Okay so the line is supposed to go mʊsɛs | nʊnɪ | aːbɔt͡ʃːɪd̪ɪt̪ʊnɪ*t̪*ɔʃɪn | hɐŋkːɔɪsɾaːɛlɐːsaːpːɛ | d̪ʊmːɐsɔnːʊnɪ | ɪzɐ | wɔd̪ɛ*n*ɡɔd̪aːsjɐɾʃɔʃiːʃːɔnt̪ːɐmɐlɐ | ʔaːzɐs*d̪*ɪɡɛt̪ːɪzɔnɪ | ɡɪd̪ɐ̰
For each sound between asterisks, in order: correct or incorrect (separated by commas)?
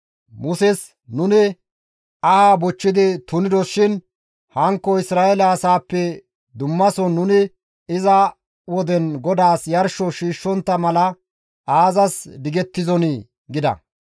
incorrect, correct, correct